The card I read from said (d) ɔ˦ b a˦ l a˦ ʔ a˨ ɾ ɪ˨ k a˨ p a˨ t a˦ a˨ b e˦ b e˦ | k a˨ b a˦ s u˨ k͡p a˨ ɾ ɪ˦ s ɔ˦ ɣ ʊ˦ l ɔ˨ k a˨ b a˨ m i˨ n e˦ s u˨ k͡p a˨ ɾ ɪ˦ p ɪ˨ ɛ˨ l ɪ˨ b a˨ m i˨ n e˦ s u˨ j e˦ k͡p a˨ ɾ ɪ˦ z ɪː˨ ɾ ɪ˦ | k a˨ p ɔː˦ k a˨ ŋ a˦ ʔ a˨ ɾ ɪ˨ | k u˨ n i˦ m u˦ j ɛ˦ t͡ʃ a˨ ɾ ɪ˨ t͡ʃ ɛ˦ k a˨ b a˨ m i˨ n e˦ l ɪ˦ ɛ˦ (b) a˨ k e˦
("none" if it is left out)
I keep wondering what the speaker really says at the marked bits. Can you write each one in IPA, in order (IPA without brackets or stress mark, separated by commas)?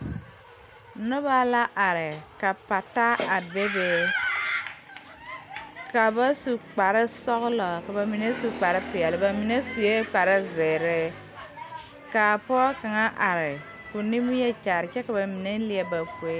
n, b